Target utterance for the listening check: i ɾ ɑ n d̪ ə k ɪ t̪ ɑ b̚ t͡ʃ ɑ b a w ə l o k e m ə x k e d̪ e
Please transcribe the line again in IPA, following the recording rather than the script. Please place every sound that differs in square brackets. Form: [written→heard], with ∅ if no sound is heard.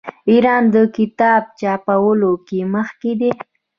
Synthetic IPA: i ɾ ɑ n d̪ ə k ɪ t̪ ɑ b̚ t͡ʃ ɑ [b→p] a w ə l o k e m ə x k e d̪ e